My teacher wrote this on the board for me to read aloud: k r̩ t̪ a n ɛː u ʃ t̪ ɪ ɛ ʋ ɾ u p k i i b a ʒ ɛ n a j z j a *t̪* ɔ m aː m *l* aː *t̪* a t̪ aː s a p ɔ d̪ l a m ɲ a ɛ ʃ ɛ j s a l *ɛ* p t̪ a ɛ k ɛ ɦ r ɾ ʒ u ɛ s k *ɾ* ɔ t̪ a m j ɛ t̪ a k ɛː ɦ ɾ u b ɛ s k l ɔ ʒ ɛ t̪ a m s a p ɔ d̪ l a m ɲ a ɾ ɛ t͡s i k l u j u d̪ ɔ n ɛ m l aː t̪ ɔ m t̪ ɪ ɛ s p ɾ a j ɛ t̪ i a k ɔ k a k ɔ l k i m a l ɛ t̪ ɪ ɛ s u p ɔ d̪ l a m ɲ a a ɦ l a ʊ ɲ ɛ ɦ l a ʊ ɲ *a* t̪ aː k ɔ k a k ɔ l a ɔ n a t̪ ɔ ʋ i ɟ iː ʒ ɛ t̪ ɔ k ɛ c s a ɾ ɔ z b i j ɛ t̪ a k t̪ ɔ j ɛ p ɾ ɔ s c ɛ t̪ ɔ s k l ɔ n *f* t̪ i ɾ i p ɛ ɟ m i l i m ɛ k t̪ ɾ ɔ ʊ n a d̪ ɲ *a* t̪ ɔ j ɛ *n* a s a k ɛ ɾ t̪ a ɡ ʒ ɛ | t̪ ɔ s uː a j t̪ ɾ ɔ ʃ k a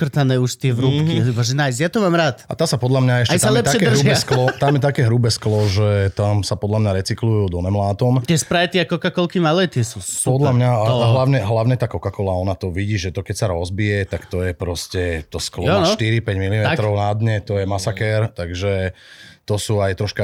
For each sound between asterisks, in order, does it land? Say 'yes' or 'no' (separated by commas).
yes, no, yes, yes, no, no, no, no, no